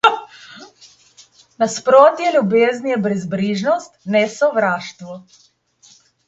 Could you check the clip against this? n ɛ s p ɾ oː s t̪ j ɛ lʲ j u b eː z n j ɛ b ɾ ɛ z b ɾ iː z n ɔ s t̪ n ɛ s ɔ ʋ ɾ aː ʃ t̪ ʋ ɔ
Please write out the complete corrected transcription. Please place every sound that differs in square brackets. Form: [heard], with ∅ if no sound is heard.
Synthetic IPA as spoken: n [a] s p ɾ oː [∅] t̪ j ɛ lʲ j u b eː z n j ɛ b ɾ ɛ z b ɾ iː [ʒ] n ɔ s t̪ n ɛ s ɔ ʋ ɾ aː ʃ t̪ ʋ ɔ